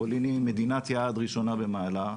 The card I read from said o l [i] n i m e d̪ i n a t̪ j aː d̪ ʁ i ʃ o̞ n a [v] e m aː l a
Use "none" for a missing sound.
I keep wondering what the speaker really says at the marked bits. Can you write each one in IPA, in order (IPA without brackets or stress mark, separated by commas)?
i, b